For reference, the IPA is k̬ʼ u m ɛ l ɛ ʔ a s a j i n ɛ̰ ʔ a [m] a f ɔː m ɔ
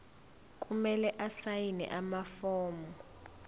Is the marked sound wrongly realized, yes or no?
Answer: no